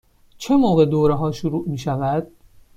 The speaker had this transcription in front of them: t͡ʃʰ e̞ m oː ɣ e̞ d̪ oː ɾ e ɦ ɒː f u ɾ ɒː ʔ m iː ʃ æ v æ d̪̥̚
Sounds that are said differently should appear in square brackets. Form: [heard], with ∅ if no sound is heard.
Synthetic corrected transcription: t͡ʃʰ e̞ m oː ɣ e̞ d̪ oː ɾ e ɦ ɒː [ʃ] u ɾ [uː] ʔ m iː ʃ æ v æ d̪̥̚